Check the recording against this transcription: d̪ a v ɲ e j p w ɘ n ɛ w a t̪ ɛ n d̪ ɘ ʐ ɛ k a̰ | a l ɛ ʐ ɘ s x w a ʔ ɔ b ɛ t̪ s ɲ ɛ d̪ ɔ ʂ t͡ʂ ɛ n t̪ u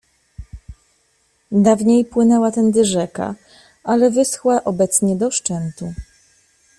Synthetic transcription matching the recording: d̪ a v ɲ e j p w ɘ n ɛ w a t̪ ɛ n d̪ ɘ ʐ ɛ k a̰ | a l ɛ v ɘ s x w a ʔ ɔ b ɛ t̪ s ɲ ɛ d̪ ɔ ʂ t͡ʂ ɛ n t̪ u